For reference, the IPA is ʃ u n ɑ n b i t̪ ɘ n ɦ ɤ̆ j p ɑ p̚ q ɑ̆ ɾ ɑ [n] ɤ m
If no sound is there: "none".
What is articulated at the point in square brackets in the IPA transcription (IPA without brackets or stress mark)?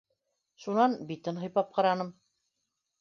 n